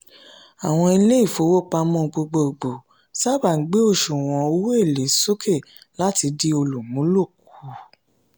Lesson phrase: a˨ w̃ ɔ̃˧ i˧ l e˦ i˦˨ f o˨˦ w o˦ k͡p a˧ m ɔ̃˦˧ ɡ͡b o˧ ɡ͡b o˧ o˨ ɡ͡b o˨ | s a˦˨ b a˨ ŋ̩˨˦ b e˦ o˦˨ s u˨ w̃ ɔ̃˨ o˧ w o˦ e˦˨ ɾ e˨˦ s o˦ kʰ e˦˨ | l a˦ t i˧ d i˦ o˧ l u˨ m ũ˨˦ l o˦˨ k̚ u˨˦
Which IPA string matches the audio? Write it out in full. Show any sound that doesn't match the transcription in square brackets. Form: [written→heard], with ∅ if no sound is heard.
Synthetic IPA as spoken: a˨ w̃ ɔ̃˧ i˧ l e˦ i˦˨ f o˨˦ w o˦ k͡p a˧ m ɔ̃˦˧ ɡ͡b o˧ ɡ͡b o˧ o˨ ɡ͡b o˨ | s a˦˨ b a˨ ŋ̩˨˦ [b→ɡ͡b] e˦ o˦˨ [s→ʃ] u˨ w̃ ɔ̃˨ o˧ w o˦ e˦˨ [ɾ→l] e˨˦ s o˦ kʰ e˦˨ | l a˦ t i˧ d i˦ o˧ l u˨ m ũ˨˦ l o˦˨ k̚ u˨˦